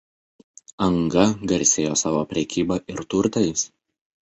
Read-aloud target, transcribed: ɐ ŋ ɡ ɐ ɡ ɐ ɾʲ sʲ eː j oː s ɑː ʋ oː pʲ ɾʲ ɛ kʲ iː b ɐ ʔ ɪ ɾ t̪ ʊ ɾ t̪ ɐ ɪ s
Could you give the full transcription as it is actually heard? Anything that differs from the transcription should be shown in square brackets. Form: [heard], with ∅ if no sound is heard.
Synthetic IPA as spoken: ɐ ŋ ɡ ɐ ɡ ɐ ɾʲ sʲ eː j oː s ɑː ʋ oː pʲ ɾʲ ɛ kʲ iː b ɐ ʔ ɪ ɾ t̪ ʊ ɾ t̪ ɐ ɪ s